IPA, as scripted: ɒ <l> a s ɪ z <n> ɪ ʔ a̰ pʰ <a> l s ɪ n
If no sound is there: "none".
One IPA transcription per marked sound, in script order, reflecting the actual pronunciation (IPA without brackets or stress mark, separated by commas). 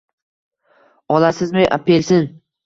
l, m, e